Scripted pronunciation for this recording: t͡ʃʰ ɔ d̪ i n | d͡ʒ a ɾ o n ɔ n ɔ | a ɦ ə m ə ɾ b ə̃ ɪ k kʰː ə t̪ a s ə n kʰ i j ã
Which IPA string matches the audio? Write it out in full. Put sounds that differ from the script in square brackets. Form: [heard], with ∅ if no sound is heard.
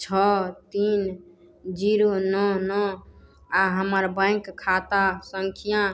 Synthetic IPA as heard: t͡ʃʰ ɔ [t̪] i n | d͡ʒ [i] ɾ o n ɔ n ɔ | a ɦ ə m ə ɾ b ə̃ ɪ k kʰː [a] t̪ a s ə [ŋ] kʰ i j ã